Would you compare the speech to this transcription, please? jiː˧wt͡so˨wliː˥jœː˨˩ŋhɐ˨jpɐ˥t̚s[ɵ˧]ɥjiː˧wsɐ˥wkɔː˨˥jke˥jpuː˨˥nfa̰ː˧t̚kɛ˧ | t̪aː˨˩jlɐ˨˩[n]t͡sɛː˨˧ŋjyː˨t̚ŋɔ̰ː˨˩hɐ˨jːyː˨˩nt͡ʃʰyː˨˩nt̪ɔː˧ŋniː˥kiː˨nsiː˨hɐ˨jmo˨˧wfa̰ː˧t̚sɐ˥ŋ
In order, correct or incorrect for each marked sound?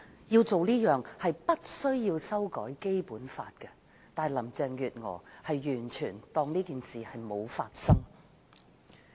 incorrect: ɵ˥, incorrect: m

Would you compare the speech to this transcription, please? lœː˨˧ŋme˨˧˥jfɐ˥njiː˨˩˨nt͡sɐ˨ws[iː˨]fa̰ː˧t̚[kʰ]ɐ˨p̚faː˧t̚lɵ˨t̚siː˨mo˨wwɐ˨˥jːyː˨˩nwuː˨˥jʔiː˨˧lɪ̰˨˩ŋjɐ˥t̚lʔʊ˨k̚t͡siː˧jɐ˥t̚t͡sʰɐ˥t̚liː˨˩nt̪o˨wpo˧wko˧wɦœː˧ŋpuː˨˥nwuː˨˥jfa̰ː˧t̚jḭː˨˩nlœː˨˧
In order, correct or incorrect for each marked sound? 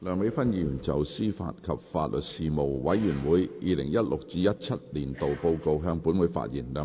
incorrect: iː˥, correct

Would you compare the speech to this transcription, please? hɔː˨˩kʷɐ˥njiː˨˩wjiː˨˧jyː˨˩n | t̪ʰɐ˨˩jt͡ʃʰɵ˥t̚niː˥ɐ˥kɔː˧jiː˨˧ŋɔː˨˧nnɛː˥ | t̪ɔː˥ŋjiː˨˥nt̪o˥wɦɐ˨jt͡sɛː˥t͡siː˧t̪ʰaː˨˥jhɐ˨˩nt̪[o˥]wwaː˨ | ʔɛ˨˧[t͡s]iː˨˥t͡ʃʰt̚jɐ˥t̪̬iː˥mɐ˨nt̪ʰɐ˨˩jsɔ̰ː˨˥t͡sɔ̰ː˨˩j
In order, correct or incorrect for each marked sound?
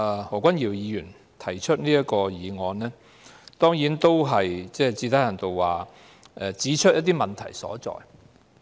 incorrect: o˨, correct

